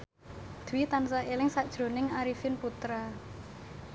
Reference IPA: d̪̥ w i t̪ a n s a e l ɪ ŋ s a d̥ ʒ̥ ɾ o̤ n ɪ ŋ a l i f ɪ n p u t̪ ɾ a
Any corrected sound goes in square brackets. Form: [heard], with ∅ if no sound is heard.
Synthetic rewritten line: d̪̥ w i t̪ a n s a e l ɪ ŋ s a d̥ ʒ̥ ɾ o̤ n ɪ ŋ a [ɾ] i f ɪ n p u t̪ ɾ a